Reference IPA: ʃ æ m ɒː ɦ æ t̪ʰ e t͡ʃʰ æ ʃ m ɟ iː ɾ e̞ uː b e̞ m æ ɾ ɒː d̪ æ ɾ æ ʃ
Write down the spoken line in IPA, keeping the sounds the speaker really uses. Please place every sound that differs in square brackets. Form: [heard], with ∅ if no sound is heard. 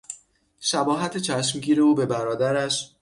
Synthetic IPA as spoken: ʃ æ [b] ɒː ɦ æ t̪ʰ e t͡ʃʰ æ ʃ m ɟ iː ɾ e̞ uː b e̞ [b] æ ɾ ɒː d̪ æ ɾ æ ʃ